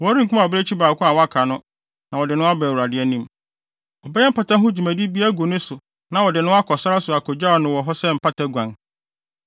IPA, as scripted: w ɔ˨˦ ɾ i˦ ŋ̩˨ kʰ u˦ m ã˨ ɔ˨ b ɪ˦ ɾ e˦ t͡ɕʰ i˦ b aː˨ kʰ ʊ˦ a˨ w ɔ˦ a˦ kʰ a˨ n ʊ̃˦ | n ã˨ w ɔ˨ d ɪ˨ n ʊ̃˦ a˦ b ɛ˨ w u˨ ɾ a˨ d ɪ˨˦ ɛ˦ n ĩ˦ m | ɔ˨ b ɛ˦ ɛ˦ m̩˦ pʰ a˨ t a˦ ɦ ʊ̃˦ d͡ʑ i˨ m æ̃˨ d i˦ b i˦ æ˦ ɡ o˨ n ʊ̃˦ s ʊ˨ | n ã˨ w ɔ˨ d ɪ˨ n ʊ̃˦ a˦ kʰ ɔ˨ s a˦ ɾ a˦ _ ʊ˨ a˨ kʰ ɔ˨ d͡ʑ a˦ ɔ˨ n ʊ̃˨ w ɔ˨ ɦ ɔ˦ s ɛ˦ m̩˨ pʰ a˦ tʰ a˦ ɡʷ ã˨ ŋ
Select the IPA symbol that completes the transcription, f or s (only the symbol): s